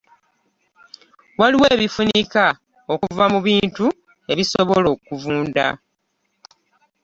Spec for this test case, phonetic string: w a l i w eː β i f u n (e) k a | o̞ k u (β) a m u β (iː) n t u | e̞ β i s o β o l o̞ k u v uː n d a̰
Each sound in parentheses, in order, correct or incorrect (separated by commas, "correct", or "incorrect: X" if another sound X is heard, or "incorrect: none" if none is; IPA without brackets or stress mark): incorrect: i, incorrect: v, correct